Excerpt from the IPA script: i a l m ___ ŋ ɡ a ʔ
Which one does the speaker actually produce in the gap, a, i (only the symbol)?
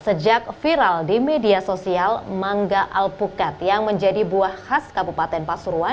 a